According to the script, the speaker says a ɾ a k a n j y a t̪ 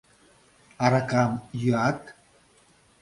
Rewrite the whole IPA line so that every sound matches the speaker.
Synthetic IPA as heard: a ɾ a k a m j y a t̪